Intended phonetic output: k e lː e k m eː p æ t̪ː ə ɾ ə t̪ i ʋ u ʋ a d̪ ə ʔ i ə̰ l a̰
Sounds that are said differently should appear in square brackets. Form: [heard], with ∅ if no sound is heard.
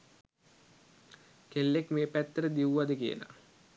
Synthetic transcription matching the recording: k e lː e k m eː p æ t̪ː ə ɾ ə [d̪] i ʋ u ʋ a d̪ ə [k] i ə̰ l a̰